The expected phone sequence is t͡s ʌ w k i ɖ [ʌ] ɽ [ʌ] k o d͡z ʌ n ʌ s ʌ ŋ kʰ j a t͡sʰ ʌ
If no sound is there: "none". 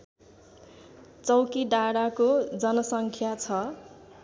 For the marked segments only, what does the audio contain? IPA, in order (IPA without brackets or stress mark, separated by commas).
a, a